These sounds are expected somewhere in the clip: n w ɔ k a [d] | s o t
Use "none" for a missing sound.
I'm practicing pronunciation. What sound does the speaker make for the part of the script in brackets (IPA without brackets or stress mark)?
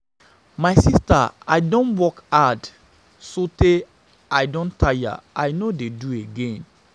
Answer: d